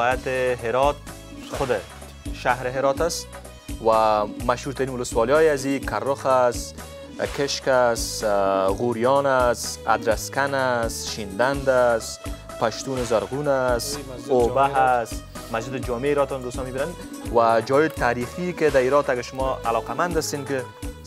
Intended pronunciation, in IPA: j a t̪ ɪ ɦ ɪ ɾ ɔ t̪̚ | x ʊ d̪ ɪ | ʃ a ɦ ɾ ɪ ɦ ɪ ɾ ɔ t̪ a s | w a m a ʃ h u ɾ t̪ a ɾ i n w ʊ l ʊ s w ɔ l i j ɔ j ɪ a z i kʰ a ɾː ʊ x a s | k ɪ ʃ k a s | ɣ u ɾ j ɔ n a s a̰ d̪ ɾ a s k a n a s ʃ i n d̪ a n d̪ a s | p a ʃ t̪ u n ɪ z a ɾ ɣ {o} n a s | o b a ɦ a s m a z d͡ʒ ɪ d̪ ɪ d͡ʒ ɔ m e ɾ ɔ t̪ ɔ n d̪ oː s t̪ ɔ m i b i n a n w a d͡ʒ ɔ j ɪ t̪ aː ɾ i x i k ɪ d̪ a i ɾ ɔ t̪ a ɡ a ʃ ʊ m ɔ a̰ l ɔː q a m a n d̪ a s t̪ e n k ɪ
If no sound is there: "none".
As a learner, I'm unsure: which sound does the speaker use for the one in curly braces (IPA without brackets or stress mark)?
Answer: u